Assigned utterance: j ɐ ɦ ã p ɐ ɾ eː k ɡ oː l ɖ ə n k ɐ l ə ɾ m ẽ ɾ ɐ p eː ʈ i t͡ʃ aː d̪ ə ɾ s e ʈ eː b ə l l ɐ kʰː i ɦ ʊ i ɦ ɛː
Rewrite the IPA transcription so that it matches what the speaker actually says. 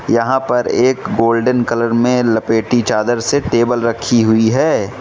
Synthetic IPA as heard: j ɐ ɦ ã p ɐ ɾ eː k ɡ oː l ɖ ə n k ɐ l ə ɾ m ẽ l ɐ p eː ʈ i t͡ʃ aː d̪ ə ɾ s e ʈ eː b ə l ɾ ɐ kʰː i ɦ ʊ i ɦ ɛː